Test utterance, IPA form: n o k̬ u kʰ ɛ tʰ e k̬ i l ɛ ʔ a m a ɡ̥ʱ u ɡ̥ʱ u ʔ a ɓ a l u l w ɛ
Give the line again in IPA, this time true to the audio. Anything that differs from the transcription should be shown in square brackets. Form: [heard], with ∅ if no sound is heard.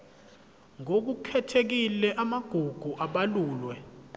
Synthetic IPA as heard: [ŋ] o k̬ u kʰ ɛ tʰ e k̬ i l ɛ ʔ a m a ɡ̥ʱ u ɡ̥ʱ u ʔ a ɓ a l [uː] l w ɛ